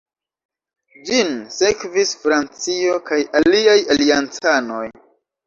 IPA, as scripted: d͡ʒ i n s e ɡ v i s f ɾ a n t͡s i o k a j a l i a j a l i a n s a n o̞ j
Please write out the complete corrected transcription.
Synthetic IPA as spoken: d͡ʒ i n s e k v i s f ɾ a n t͡s i o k a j a l i a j a l i a n t͡s a n o̞ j